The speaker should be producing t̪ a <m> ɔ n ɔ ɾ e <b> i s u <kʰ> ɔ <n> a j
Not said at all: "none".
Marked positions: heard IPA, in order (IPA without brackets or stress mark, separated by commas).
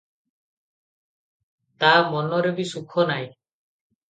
m, b, kʰ, n